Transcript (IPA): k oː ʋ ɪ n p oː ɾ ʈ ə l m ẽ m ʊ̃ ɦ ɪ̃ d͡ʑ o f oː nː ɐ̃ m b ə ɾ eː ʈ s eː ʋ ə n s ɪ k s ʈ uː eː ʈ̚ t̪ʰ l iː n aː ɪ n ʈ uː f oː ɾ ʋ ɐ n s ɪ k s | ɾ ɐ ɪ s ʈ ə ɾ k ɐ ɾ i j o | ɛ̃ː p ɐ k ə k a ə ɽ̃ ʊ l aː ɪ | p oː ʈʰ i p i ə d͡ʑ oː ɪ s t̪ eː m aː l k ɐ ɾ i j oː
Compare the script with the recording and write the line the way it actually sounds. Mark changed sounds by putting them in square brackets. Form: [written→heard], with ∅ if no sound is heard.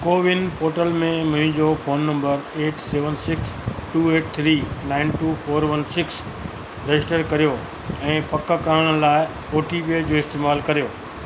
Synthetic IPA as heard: k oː ʋ ɪ n p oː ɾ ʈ ə l m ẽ m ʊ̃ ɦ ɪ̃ d͡ʑ o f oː nː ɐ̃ m b ə ɾ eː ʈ s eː ʋ ə n s ɪ k s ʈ uː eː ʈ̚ t̪ʰ [l→ɾ] iː n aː ɪ n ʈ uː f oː ɾ ʋ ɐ n s ɪ k s | ɾ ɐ ɪ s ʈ ə ɾ k ɐ ɾ i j o | ɛ̃ː p ɐ k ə k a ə ɽ̃ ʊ l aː ɪ | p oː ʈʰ i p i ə d͡ʑ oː ɪ s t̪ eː m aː l k ɐ ɾ i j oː

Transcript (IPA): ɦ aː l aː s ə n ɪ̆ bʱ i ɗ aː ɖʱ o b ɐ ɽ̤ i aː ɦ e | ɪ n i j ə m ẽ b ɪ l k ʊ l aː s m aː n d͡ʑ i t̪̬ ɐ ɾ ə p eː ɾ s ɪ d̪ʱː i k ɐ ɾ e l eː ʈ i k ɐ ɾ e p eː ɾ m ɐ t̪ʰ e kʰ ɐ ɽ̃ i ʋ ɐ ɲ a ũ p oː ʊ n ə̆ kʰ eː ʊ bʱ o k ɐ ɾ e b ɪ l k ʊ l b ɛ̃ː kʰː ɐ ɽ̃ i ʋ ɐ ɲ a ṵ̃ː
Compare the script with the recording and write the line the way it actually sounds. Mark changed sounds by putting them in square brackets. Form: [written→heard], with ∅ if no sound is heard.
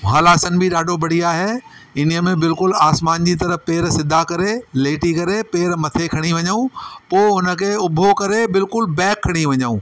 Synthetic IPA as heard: ɦ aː l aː s ə n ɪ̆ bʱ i ɗ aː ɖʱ o b ɐ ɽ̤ i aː ɦ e | ɪ n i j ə m ẽ b ɪ l k ʊ l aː s m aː n d͡ʑ i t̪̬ ɐ ɾ ə p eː ɾ s ɪ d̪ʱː [i→a] k ɐ ɾ e l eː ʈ i k ɐ ɾ e p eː ɾ m ɐ t̪ʰ e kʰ ɐ ɽ̃ i ʋ ɐ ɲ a ũ p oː ʊ n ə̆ kʰ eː ʊ bʱ o k ɐ ɾ e b ɪ l k ʊ l b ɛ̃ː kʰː ɐ ɽ̃ i ʋ ɐ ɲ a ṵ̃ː

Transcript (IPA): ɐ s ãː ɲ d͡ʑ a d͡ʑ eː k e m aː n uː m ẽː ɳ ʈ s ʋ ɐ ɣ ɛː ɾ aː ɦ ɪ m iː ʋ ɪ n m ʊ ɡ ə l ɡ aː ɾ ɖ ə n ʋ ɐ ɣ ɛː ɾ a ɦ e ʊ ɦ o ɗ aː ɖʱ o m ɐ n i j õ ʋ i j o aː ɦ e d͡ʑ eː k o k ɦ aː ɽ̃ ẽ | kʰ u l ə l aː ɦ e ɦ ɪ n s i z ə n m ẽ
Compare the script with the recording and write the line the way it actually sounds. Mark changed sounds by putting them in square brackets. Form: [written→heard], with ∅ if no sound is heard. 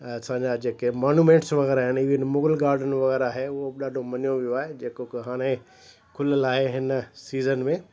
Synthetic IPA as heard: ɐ s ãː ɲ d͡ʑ a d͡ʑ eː k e m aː n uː m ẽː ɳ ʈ s ʋ ɐ ɣ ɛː ɾ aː ɦ ɪ [m→n] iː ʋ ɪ n m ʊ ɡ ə l ɡ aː ɾ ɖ ə n ʋ ɐ ɣ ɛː ɾ a ɦ e ʊ ɦ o ɗ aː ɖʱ o m ɐ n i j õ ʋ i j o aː ɦ e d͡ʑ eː k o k ɦ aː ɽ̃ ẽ | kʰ [u→ʊ] l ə l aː ɦ e ɦ ɪ n s [i→iː] z ə n m ẽ

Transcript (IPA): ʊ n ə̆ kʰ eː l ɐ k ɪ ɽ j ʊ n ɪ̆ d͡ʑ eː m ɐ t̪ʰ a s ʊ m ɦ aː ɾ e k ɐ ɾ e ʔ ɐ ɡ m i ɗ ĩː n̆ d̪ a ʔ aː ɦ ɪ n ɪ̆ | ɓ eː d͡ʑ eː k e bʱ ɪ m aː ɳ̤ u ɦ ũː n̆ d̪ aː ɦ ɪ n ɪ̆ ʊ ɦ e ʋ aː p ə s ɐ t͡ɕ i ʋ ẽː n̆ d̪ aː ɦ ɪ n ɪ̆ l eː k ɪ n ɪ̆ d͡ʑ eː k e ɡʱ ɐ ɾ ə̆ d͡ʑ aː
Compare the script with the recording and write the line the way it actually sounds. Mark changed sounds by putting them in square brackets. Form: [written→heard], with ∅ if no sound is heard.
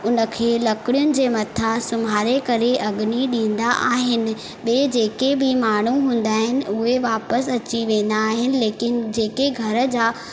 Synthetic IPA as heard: ʊ n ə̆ kʰ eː l ɐ k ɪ ɽ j ʊ n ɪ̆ d͡ʑ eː m ɐ t̪ʰ a s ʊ m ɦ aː ɾ e k ɐ ɾ e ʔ ɐ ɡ [m→n] i ɗ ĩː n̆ d̪ a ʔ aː ɦ ɪ n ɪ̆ | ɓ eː d͡ʑ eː k e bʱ ɪ m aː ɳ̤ u ɦ ũː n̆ d̪ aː ɦ ɪ n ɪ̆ ʊ ɦ e ʋ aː p ə s ɐ t͡ɕ i ʋ ẽː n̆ d̪ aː ɦ ɪ n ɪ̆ l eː k ɪ n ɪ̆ d͡ʑ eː k e ɡʱ ɐ ɾ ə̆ d͡ʑ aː

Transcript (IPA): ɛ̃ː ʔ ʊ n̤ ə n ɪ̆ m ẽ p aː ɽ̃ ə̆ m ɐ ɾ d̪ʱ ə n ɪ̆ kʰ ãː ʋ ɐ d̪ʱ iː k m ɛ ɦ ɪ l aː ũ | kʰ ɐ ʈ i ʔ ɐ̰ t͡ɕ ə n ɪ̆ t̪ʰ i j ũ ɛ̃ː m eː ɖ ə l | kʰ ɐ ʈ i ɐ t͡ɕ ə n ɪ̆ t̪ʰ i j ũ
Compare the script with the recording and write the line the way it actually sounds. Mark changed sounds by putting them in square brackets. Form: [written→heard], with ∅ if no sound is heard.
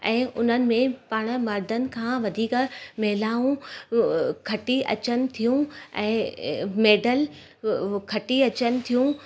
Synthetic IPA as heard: ɛ̃ː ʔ ʊ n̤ ə n ɪ̆ m ẽ p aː ɽ̃ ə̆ m ɐ ɾ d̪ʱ ə n ɪ̆ kʰ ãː ʋ ɐ d̪ʱ iː k m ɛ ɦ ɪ l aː ũ | kʰ ɐ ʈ i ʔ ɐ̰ t͡ɕ ə n ɪ̆ t̪ʰ i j ũ ɛ̃ː m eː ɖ ə l | kʰ ɐ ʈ i ɐ t͡ɕ ə n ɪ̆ t̪ʰ i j ũ

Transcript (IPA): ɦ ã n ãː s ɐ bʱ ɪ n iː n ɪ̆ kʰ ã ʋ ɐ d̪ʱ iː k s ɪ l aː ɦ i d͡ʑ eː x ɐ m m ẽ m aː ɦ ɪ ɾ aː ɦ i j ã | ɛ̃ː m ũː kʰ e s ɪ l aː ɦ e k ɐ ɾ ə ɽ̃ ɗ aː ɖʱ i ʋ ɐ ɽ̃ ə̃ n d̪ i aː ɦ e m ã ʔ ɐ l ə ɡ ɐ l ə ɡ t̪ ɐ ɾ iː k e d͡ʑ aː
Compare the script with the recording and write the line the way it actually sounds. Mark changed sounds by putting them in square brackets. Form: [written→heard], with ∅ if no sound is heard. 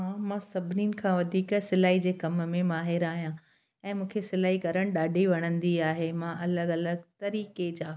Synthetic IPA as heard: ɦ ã [n→m] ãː s ɐ bʱ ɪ n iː n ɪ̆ kʰ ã ʋ ɐ d̪ʱ iː k s ɪ l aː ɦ i d͡ʑ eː [x→k] ɐ m m ẽ m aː ɦ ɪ ɾ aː ɦ i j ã | ɛ̃ː m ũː kʰ e s ɪ l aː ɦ [e→i] k ɐ ɾ ə ɽ̃ ɗ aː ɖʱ i ʋ ɐ ɽ̃ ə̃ n d̪ i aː ɦ e m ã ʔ ɐ l ə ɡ ɐ l ə ɡ t̪ ɐ ɾ iː k e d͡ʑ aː

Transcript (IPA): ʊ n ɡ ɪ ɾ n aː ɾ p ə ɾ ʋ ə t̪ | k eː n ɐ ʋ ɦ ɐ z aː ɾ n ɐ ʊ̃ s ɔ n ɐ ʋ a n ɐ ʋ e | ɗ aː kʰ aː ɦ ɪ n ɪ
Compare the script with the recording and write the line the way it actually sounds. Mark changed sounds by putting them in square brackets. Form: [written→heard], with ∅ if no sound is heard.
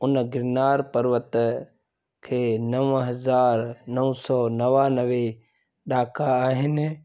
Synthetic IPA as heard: ʊ n ɡ ɪ ɾ n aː ɾ p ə ɾ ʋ ə t̪ | [k→kʰ] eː n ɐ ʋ ɦ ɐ z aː ɾ n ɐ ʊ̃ s ɔ n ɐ ʋ a n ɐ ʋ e | ɗ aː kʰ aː ɦ ɪ n ɪ

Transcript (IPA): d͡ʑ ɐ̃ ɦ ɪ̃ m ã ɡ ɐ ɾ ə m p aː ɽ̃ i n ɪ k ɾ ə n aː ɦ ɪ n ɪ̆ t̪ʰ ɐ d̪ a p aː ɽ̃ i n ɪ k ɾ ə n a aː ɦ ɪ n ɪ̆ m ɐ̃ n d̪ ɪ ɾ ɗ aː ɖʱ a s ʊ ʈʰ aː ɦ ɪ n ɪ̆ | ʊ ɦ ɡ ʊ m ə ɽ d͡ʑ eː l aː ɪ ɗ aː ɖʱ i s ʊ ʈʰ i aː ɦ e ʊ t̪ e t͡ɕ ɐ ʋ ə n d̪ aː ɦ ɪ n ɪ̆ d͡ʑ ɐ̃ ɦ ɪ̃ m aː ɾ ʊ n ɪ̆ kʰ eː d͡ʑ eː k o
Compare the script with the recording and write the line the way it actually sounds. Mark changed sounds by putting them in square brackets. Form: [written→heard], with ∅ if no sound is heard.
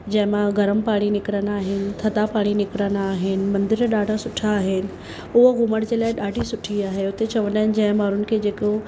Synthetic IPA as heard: d͡ʑ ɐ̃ ɦ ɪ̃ m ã ɡ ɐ ɾ ə m p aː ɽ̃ i n ɪ k ɾ ə n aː ɦ ɪ n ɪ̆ t̪ʰ ɐ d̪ a p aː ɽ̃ i n ɪ k ɾ ə n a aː ɦ ɪ n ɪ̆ m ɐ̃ n d̪ ɪ ɾ ɗ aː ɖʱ a s ʊ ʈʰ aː ɦ ɪ n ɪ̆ | ʊ ɦ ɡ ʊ m ə ɽ d͡ʑ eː l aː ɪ ɗ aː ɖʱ i s ʊ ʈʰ i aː ɦ e ʊ t̪ e t͡ɕ ɐ ʋ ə n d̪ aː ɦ ɪ n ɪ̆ d͡ʑ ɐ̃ ɦ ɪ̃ m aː ɾ ʊ n ɪ̆ kʰ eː d͡ʑ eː k o

